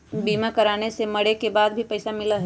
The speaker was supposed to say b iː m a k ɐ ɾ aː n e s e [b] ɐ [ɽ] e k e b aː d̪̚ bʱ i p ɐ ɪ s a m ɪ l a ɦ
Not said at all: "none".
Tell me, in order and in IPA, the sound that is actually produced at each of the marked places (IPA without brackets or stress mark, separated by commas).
m, ɽ